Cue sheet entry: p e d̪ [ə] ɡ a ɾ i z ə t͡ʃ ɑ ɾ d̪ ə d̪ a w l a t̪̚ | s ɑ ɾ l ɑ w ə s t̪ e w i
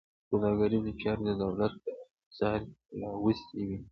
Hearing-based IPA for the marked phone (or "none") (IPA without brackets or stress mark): ɑ